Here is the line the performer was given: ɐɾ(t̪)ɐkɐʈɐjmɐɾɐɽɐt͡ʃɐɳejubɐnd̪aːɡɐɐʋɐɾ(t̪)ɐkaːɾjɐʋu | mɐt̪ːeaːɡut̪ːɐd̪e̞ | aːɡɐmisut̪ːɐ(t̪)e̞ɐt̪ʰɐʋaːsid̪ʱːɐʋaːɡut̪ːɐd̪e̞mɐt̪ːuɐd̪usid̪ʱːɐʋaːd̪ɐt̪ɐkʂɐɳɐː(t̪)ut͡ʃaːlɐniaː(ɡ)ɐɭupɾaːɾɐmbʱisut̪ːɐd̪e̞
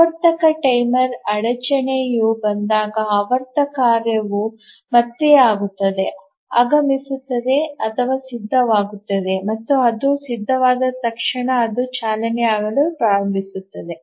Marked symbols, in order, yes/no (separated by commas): yes, yes, no, no, yes